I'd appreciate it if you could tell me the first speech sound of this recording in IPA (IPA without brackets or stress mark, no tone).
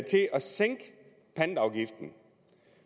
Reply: t͡sʰ